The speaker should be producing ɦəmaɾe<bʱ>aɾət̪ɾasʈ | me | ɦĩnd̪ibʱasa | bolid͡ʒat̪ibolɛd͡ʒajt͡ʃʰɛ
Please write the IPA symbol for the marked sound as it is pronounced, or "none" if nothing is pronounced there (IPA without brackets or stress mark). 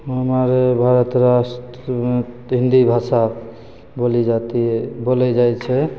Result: bʱ